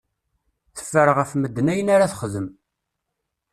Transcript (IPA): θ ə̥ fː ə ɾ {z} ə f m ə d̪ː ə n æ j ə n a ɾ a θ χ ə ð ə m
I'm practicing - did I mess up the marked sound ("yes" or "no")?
yes